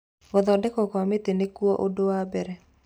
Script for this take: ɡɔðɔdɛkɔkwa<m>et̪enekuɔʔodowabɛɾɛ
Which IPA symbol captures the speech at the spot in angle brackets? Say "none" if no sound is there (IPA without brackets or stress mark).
m